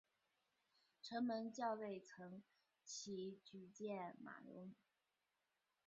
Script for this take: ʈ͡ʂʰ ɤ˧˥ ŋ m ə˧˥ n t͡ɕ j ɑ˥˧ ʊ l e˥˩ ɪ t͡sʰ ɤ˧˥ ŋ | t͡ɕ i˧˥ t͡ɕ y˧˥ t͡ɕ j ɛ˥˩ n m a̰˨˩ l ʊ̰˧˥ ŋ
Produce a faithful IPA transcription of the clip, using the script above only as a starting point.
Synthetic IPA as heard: ʈ͡ʂʰ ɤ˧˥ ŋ m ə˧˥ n t͡ɕ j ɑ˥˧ ʊ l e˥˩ ɪ t͡sʰ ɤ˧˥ ŋ | t͡ɕʰ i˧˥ t͡ɕ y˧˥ t͡ɕ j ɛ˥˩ n m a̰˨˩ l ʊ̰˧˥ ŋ